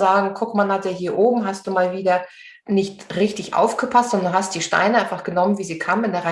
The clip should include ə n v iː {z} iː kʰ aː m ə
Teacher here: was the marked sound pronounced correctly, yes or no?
yes